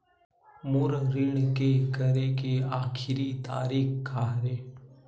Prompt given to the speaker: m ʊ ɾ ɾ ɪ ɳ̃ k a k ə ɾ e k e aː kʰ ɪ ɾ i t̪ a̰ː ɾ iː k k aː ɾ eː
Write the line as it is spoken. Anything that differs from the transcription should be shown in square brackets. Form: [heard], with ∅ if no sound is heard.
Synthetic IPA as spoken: m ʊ ɾ ɾ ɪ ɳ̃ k [e] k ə ɾ e k e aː kʰ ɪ ɾ i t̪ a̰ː ɾ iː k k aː ɾ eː